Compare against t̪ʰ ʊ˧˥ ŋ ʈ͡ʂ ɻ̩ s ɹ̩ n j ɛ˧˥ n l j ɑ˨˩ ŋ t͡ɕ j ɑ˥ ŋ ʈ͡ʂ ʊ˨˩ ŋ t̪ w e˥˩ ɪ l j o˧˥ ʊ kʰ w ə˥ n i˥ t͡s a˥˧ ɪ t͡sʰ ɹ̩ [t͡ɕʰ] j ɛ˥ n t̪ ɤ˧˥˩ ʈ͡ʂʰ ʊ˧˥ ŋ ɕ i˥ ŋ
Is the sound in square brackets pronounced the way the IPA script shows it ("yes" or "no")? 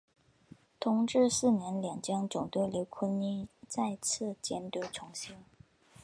no